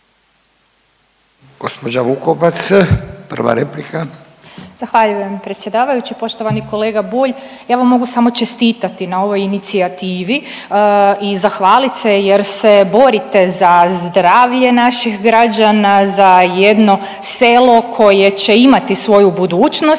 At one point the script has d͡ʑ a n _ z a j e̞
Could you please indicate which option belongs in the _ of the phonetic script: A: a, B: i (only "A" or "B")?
A